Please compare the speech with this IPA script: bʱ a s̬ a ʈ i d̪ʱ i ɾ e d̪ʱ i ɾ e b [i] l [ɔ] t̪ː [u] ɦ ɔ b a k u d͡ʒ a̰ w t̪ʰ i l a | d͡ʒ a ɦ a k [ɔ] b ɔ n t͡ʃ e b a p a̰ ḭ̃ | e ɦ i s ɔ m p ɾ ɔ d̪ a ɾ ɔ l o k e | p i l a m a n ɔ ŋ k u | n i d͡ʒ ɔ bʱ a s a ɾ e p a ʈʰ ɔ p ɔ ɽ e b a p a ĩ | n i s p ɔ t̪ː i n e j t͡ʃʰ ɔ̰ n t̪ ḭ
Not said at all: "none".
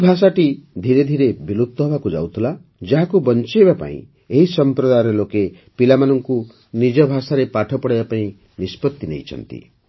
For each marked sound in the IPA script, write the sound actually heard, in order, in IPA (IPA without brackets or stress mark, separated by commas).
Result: i, u, ɔ, u